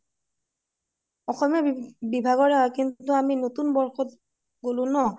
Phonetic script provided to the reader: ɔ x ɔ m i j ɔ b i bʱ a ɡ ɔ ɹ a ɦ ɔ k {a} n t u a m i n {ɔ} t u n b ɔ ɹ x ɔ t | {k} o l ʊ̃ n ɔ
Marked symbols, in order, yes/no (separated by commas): no, no, no